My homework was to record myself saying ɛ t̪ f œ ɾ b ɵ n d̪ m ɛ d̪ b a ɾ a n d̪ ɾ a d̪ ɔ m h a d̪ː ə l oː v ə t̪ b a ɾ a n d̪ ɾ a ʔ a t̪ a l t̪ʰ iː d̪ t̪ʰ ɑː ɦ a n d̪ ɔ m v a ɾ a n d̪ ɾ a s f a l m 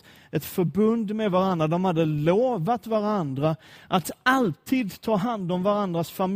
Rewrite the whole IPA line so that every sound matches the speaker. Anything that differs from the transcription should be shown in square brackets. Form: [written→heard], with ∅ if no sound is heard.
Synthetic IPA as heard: ɛ t̪ f œ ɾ b ɵ n d̪ m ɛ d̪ [b→v] a ɾ a n d̪ ɾ a d̪ ɔ m h a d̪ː ə l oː v [ə→a] t̪ [b→v] a ɾ a n d̪ ɾ a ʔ a t̪ a l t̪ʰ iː d̪ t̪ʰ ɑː ɦ a n d̪ ɔ m v a ɾ a n d̪ ɾ a s f a [l→∅] m